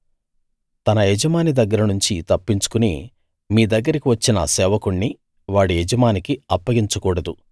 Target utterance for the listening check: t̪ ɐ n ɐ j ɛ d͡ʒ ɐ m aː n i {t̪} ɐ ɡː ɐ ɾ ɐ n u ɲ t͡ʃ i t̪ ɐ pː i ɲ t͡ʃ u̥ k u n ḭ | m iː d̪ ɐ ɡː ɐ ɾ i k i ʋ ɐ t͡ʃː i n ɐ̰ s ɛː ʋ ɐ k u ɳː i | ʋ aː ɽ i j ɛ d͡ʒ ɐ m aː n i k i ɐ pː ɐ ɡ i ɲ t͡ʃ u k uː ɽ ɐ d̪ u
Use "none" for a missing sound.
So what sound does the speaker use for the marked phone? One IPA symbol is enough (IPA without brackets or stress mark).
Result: d̪